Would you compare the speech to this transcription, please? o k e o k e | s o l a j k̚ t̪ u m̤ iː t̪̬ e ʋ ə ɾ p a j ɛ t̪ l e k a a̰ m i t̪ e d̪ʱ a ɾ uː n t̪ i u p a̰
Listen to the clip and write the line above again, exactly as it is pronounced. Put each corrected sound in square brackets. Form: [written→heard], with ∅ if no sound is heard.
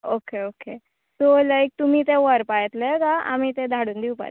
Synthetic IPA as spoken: o k e o k e | s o l a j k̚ t̪ u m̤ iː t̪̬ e ʋ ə ɾ p a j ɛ t̪ l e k a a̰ m i t̪ e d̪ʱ a [ɾ→ɽ] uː n [t̪→d̪] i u p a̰